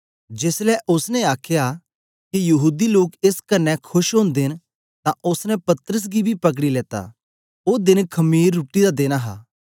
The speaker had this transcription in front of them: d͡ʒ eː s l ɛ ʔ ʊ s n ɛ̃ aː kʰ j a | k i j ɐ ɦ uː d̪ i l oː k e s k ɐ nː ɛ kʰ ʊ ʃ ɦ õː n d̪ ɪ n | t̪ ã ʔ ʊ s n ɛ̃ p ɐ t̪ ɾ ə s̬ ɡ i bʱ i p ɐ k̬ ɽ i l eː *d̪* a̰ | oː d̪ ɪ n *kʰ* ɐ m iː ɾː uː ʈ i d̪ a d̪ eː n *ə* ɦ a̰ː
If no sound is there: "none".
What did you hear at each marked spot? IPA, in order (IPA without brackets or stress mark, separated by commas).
t̪, kʰ, a